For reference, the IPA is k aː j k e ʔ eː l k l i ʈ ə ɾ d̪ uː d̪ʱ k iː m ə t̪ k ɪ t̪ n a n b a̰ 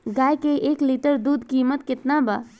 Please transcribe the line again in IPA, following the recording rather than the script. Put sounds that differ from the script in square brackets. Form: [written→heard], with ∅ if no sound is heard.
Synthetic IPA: [k→ɡ] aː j k e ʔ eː [l→∅] k l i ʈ ə ɾ d̪ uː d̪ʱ k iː m ə t̪ k ɪ t̪ n a [n→∅] b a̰

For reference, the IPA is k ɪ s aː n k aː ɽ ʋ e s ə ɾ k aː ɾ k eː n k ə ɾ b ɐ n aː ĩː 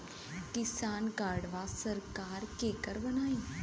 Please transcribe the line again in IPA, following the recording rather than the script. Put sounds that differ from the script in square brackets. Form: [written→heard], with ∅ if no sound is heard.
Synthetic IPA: k ɪ s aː n k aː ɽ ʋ [e→a] s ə ɾ k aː ɾ k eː [n→∅] k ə ɾ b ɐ n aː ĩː

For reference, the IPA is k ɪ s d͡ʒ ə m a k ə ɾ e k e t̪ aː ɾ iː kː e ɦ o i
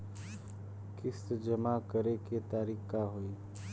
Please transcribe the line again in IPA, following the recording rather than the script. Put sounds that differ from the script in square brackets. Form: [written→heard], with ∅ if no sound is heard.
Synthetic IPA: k ɪ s d͡ʒ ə m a k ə ɾ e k e t̪ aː ɾ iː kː [e→a] ɦ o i

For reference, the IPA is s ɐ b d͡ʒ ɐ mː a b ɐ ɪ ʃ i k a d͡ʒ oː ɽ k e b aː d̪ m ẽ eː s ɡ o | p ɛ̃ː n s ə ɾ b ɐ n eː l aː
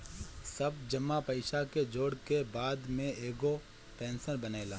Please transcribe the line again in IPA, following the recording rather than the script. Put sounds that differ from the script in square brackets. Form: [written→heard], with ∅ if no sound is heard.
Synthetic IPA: s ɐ b d͡ʒ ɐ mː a [b→p] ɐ ɪ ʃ [i→a] k [a→e] d͡ʒ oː ɽ k e b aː d̪ m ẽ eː [s→∅] ɡ o | p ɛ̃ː n s ə ɾ b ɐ n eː l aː

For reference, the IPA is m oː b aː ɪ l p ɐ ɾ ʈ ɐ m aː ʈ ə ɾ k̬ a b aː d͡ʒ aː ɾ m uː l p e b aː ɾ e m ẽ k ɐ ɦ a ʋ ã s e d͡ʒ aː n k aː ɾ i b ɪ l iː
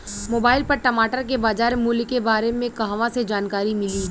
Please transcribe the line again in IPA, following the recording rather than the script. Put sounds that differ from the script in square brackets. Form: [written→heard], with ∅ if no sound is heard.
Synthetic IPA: m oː b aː ɪ l p ɐ ɾ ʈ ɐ m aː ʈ ə ɾ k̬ [a→e] b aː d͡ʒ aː ɾ m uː l [p→k] e b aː ɾ e m ẽ k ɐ ɦ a ʋ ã s e d͡ʒ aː n k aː ɾ i [b→m] ɪ l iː

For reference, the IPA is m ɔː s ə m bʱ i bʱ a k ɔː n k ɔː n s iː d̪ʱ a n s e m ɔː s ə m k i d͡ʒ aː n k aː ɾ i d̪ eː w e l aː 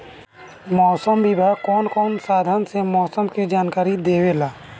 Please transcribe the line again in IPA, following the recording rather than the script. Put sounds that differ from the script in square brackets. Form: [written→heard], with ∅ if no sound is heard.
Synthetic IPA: m ɔː s ə m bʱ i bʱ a k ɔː n k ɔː n s [iː→aː] d̪ʱ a n s e m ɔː s ə m k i d͡ʒ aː n k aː ɾ i d̪ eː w e l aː

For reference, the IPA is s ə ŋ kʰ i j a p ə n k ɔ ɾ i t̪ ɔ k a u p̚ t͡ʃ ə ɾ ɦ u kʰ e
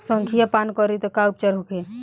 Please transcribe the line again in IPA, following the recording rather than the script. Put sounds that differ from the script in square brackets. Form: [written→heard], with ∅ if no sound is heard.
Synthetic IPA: s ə ŋ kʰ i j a p [ə→a] n k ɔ ɾ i t̪ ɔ k a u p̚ t͡ʃ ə ɾ ɦ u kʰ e

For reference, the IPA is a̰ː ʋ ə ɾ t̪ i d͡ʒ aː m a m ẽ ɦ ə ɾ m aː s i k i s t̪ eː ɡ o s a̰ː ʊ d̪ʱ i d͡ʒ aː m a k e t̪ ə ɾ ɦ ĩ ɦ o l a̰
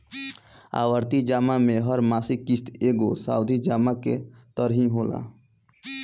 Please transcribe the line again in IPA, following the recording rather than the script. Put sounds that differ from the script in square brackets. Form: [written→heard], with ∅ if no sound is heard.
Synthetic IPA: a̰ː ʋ ə ɾ t̪ i d͡ʒ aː m a m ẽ ɦ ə ɾ m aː s i k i s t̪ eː ɡ o s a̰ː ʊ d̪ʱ i d͡ʒ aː m a k e t̪ ə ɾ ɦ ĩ ɦ o l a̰

